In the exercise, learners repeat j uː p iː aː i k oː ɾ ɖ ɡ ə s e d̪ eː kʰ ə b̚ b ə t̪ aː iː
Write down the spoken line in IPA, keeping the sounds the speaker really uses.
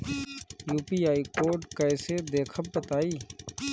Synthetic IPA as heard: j uː p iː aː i k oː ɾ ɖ k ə s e d̪ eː kʰ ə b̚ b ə t̪ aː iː